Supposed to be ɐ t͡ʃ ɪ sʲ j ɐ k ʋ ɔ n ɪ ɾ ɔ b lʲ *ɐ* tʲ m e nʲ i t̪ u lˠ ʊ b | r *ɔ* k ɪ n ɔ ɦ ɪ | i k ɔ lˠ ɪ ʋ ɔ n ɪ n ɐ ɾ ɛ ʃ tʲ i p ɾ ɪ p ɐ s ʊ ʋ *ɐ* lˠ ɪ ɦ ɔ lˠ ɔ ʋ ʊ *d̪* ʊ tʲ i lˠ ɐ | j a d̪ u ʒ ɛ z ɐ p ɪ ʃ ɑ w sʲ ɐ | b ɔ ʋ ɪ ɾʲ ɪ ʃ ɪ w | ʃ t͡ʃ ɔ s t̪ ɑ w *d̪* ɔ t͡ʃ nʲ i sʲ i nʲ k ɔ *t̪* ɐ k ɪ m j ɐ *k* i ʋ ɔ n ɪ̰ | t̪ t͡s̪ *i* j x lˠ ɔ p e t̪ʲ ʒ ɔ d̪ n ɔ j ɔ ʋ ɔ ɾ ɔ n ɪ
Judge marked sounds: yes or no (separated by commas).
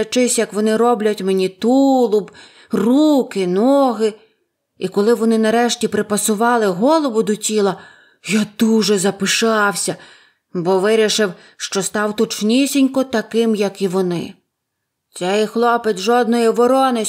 yes, no, no, yes, no, yes, yes, no